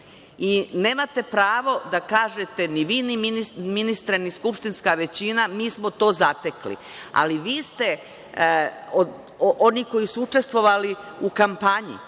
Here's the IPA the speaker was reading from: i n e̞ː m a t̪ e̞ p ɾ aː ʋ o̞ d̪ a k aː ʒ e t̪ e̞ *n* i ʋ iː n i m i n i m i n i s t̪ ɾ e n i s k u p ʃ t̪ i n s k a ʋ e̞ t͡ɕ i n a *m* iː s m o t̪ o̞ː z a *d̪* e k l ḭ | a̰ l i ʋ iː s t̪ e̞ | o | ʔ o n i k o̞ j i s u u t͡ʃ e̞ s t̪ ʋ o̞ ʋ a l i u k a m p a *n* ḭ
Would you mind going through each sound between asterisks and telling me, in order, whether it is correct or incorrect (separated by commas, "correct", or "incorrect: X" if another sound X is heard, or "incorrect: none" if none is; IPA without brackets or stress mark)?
correct, correct, incorrect: t̪, incorrect: ɲ